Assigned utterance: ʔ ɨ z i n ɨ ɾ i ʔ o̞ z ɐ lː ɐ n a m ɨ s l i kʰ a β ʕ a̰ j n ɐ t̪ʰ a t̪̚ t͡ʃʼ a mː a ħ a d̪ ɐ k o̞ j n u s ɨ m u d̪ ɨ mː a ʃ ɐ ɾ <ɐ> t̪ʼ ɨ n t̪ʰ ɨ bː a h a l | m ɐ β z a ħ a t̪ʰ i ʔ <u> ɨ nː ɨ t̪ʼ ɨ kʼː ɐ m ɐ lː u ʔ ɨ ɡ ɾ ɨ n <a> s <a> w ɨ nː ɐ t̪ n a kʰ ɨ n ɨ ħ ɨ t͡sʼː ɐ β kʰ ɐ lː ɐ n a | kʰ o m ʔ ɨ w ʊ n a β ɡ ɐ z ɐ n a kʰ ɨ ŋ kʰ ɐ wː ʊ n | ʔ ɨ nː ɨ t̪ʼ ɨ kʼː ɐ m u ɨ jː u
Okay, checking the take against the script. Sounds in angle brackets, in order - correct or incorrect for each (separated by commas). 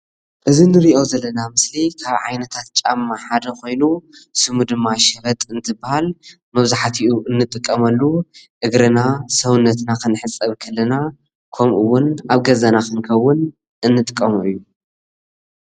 correct, correct, correct, incorrect